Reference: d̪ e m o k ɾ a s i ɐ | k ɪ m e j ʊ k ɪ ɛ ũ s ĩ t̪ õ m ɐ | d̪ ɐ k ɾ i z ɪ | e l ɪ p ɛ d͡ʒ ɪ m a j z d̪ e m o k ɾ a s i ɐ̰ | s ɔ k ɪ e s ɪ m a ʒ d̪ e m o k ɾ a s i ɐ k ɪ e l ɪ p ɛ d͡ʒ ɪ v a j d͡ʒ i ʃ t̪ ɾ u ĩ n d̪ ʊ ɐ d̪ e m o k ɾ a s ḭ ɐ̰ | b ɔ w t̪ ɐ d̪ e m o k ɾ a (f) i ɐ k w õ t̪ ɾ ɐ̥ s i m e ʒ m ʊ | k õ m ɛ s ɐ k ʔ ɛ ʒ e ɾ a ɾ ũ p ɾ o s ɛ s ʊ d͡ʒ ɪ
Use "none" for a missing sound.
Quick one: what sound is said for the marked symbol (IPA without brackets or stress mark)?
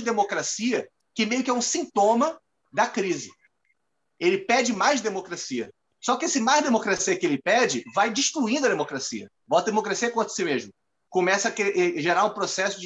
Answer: s